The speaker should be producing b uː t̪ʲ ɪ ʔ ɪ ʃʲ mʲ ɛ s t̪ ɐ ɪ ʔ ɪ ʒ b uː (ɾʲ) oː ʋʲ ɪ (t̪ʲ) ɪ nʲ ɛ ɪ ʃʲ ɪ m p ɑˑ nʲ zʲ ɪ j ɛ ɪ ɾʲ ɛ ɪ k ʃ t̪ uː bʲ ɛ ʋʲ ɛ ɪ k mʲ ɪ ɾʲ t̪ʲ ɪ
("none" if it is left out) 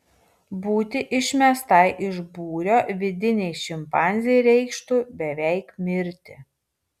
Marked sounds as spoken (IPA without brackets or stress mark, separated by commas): ɾʲ, d̪ʲ